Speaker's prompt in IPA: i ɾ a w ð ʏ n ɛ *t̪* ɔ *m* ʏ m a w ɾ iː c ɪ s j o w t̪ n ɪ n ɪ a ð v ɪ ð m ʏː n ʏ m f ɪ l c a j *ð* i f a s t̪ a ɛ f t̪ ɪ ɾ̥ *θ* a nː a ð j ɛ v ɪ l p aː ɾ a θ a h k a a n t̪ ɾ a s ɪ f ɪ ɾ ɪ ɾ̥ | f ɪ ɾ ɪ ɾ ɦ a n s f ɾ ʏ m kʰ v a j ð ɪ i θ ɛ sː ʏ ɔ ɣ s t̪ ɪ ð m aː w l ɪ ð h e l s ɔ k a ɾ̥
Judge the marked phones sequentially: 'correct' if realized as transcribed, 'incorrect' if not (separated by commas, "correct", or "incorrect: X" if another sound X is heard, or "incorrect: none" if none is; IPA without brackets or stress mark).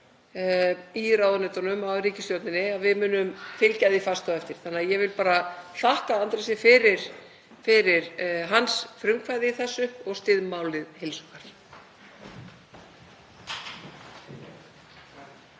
correct, incorrect: n, correct, correct